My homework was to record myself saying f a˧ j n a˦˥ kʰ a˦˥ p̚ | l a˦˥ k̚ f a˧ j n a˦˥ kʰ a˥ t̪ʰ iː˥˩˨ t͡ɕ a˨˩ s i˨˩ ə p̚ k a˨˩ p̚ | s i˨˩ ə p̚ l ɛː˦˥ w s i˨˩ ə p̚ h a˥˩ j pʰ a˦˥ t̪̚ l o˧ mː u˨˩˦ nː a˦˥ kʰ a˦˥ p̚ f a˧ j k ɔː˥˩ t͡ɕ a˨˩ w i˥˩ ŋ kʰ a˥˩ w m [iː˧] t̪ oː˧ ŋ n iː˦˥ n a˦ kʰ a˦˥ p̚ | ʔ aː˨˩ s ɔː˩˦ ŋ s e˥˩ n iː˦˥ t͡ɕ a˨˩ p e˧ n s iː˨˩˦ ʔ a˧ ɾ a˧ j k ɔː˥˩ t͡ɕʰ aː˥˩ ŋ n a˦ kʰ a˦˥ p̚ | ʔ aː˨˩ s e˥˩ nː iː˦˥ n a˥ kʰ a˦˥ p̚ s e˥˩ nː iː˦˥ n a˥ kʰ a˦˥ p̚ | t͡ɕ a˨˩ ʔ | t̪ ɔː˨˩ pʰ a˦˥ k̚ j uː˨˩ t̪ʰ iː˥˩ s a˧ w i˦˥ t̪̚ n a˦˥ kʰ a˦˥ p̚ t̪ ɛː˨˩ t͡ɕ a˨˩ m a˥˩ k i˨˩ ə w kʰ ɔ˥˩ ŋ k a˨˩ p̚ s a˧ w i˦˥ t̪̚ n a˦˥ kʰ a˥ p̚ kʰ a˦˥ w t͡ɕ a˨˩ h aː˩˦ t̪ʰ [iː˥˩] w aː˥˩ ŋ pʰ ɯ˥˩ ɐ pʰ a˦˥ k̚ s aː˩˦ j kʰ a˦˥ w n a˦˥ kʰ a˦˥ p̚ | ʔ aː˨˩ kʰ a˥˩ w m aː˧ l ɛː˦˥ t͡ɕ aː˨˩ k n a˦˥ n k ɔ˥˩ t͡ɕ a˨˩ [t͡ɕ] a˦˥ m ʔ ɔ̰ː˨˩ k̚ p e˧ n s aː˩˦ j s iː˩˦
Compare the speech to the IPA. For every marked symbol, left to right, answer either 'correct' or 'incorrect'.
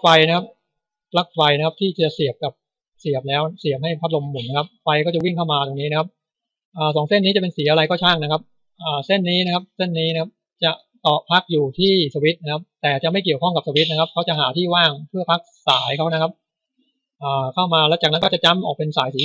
incorrect, correct, correct

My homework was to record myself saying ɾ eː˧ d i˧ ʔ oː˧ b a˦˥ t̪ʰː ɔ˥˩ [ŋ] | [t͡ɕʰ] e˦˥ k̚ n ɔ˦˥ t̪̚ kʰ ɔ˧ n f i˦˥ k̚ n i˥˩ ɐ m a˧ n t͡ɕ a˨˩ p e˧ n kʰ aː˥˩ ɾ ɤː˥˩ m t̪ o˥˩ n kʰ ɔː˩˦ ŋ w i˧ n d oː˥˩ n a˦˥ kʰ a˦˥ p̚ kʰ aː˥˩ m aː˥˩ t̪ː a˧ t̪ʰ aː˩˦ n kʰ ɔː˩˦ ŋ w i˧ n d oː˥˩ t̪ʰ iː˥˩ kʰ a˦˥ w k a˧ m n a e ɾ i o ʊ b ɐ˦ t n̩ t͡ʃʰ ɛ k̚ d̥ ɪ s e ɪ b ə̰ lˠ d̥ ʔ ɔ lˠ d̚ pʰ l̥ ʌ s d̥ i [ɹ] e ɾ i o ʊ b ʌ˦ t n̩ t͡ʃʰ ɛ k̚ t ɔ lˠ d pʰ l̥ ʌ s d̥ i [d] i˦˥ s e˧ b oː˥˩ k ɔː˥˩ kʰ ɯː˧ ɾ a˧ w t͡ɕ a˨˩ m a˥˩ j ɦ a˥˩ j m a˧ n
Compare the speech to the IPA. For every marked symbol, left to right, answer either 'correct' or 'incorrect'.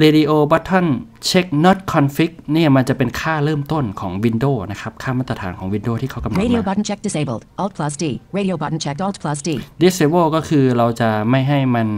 incorrect, correct, correct, correct

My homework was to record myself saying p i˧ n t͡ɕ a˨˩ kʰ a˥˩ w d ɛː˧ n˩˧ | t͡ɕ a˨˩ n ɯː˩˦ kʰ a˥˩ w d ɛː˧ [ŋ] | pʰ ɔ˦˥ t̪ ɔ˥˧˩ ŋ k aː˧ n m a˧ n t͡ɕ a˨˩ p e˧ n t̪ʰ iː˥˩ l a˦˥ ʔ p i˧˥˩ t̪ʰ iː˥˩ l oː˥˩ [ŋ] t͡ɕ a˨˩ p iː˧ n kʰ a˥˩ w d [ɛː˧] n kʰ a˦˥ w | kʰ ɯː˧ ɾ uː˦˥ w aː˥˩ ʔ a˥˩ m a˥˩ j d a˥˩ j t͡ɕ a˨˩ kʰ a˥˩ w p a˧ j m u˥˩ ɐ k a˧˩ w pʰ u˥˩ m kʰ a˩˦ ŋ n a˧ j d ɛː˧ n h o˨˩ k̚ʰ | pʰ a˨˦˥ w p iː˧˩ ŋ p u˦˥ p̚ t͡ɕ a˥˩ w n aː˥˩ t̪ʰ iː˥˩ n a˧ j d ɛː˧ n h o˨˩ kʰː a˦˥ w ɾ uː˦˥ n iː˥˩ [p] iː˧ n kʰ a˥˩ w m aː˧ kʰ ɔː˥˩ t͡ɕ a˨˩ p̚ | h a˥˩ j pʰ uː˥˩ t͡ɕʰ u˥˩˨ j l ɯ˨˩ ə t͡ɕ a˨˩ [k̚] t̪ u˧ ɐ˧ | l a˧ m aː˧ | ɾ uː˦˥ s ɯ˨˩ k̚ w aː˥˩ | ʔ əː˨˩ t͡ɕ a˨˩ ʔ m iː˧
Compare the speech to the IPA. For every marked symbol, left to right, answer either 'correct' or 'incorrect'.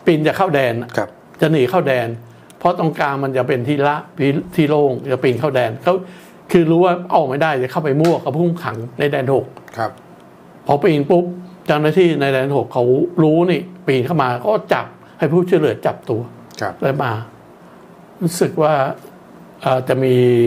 incorrect, correct, correct, correct, incorrect

